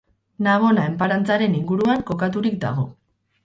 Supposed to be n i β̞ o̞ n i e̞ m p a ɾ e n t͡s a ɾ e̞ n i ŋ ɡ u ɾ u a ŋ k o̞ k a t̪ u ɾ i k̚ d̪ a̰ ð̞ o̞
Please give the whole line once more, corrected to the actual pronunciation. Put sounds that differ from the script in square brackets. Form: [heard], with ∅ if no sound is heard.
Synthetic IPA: n [a] β̞ o̞ n [a] e̞ m p a ɾ [a] n t͡s a ɾ e̞ n i ŋ ɡ u ɾ u a ŋ k o̞ k a t̪ u ɾ i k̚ d̪ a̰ [ɣ̞] o̞